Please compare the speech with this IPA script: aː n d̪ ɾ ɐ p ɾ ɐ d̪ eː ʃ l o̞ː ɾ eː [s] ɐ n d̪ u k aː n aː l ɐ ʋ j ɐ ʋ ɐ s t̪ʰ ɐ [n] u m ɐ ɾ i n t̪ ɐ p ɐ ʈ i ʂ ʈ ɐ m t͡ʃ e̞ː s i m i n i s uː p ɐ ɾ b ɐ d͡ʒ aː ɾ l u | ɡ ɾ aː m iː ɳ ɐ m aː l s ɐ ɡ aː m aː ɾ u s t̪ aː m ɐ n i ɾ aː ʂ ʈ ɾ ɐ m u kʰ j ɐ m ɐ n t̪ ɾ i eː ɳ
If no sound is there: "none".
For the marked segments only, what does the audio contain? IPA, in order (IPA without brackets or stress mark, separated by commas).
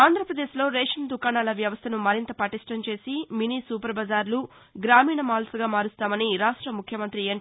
ʂ, n